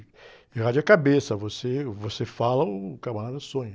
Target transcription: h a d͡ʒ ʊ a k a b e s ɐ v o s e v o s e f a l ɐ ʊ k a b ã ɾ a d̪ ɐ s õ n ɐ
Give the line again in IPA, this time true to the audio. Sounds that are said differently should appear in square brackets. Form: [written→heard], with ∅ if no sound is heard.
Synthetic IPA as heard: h a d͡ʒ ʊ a k a b e s ɐ v o s e v o s e f a l ɐ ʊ k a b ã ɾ a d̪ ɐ s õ [n→ɲ] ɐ